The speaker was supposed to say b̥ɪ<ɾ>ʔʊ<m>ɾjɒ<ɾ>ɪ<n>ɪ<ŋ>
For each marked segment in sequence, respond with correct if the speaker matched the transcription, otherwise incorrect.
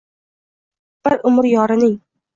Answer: correct, correct, correct, correct, correct

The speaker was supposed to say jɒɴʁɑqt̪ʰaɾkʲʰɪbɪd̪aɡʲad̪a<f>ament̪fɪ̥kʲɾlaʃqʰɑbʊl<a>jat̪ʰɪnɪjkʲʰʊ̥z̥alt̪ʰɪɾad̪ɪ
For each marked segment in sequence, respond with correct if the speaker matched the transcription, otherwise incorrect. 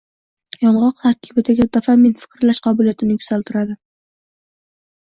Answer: correct, incorrect

